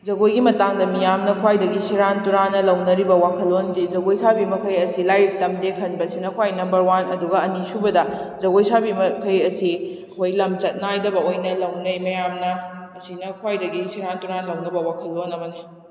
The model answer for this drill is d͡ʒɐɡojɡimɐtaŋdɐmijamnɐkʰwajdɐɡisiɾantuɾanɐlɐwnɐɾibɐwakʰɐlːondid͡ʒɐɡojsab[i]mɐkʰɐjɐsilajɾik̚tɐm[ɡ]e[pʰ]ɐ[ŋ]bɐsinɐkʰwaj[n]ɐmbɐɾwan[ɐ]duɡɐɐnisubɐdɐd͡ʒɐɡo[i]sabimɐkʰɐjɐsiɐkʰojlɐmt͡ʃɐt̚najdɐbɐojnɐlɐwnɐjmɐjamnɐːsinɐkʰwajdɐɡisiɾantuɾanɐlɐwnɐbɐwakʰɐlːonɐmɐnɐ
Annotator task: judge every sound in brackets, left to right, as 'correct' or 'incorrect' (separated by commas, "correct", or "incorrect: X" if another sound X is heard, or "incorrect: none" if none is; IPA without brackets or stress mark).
correct, incorrect: d, incorrect: kʰ, incorrect: n, correct, correct, incorrect: j